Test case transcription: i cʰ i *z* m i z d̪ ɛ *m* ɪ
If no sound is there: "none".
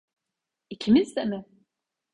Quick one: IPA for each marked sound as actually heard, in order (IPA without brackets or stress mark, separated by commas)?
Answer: none, m